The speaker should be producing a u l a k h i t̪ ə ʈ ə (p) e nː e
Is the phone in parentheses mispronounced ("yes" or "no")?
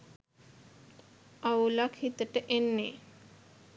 yes